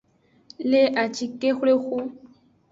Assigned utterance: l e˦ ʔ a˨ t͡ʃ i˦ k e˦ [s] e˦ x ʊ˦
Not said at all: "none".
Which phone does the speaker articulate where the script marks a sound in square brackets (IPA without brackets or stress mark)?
x